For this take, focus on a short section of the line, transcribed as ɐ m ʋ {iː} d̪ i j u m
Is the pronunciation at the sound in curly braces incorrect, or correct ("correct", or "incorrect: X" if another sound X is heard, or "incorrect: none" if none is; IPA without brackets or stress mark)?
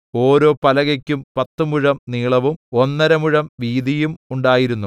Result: correct